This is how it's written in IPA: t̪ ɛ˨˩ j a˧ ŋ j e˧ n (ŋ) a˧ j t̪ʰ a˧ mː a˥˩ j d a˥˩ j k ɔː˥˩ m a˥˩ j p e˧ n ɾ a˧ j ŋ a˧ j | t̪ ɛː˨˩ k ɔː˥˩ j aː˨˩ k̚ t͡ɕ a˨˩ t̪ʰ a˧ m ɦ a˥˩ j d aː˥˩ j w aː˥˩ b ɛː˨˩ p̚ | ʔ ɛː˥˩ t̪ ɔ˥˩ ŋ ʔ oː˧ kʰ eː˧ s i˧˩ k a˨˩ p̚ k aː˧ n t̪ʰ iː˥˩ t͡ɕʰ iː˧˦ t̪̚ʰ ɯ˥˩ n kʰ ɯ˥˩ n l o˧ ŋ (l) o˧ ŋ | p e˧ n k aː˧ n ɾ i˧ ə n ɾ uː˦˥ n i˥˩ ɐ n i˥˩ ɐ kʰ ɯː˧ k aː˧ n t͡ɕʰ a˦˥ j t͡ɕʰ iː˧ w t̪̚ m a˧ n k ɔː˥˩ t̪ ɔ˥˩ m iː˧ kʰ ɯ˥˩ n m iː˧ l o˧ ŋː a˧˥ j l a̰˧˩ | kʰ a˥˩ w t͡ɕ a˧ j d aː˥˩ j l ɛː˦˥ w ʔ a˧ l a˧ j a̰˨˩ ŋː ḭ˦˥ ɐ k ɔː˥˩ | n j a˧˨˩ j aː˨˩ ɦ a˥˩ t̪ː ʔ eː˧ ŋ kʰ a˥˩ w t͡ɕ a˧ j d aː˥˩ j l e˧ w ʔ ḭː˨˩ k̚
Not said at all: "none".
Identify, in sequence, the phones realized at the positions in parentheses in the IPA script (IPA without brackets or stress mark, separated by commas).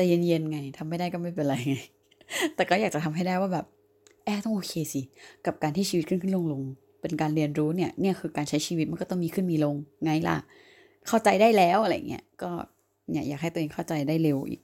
ŋ, l